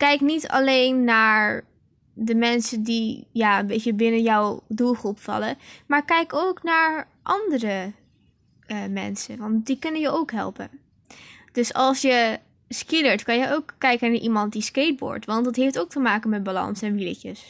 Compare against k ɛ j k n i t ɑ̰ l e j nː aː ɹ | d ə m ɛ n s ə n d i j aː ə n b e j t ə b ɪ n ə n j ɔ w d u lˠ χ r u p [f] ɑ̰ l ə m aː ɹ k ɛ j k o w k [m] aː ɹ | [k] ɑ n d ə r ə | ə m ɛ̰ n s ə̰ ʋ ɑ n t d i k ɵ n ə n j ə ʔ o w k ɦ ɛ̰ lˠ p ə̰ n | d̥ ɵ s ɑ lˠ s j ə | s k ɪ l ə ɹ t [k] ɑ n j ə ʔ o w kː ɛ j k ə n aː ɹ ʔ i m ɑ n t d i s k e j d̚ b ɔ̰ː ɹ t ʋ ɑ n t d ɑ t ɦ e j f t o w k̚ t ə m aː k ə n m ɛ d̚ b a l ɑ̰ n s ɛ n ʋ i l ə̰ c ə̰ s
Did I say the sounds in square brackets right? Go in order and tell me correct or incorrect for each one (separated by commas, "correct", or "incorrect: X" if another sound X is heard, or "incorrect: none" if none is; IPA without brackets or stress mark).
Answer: correct, incorrect: n, incorrect: ʔ, correct